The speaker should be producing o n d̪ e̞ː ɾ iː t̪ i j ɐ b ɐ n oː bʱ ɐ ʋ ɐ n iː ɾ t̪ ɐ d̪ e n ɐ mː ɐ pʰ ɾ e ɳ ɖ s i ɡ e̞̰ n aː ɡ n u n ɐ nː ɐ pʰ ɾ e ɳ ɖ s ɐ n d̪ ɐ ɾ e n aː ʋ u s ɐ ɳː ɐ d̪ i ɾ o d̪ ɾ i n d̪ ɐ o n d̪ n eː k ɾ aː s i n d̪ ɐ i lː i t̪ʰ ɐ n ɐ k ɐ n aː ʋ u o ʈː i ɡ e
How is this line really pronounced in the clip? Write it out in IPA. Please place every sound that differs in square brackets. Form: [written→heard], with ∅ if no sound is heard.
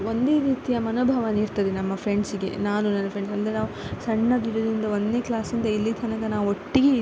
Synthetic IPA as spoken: o n d̪ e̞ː ɾ iː t̪ i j ɐ [b→m] ɐ n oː bʱ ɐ ʋ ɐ n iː ɾ t̪ ɐ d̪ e n ɐ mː ɐ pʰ ɾ e ɳ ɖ s i ɡ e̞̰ n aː [ɡ→∅] n u n ɐ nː ɐ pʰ ɾ e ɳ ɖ s ɐ n d̪ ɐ ɾ e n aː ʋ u s ɐ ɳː ɐ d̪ i ɾ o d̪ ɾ i n d̪ ɐ o n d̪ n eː k [ɾ→l] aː s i n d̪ ɐ i lː i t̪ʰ ɐ n ɐ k ɐ n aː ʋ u o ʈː i ɡ e